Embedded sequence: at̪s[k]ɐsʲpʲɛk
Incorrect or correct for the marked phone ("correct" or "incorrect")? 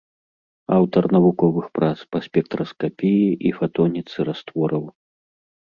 incorrect